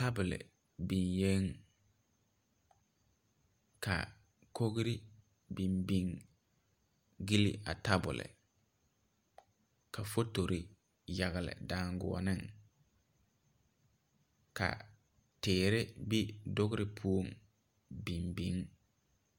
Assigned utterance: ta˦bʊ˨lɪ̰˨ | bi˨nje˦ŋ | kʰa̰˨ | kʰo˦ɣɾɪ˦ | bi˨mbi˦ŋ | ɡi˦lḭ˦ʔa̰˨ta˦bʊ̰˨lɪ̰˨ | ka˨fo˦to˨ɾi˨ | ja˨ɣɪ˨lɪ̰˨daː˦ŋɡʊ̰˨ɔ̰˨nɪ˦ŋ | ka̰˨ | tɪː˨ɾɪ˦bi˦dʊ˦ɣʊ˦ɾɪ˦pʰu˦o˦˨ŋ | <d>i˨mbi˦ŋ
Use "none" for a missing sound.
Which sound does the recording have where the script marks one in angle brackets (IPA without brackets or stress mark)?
b